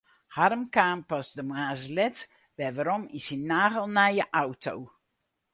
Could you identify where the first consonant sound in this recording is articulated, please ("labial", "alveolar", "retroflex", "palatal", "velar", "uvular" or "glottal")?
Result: glottal